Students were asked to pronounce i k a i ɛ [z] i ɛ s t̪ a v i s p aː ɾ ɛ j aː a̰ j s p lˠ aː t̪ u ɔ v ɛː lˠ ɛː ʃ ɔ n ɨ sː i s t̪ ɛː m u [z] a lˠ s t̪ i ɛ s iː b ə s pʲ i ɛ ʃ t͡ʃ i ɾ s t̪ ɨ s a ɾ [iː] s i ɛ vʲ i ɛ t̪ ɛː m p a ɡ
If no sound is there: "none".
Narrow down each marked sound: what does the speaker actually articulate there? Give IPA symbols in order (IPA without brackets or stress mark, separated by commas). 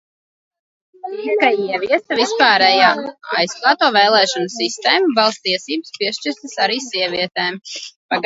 v, v, iː